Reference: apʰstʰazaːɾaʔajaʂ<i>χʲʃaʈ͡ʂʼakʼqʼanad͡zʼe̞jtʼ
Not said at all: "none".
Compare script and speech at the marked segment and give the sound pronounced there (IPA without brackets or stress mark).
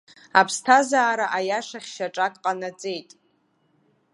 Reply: a